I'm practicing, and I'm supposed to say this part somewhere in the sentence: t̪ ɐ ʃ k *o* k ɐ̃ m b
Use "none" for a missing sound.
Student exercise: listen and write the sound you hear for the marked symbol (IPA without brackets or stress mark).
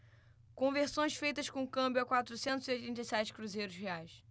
õ